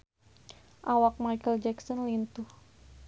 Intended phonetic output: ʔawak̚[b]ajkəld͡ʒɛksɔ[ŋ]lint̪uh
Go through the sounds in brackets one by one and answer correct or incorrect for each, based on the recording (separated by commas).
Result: incorrect, incorrect